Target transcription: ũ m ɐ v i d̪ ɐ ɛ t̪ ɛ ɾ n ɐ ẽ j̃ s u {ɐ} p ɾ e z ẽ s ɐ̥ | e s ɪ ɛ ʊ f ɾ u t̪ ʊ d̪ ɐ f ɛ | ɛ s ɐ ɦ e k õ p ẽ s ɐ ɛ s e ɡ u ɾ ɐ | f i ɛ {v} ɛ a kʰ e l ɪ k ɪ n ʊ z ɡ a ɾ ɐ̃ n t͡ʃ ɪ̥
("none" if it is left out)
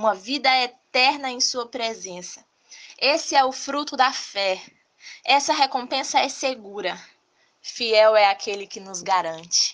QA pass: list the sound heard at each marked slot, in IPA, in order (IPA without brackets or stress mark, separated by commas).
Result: ɐ, w